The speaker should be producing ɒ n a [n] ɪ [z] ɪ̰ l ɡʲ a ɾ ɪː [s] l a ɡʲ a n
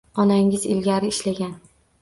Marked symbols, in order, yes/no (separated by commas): no, yes, no